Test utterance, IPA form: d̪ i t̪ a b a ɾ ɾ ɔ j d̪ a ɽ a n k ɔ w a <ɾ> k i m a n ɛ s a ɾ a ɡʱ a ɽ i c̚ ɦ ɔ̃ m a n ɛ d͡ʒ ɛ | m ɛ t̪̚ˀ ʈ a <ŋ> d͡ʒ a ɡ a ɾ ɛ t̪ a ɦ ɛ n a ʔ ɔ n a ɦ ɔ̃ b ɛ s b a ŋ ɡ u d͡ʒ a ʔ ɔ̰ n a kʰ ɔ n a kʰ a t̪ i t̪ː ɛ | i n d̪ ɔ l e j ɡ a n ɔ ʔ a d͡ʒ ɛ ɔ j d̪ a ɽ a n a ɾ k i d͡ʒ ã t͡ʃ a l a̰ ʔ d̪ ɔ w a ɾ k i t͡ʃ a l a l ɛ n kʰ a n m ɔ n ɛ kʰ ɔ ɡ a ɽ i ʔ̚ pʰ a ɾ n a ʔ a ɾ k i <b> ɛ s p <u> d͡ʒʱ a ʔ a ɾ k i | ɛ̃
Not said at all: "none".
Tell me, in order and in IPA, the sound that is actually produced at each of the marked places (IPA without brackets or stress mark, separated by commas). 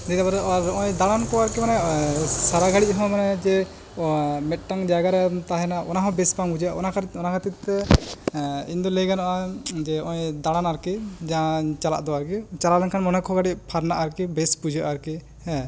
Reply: ɾ, ŋ, b, u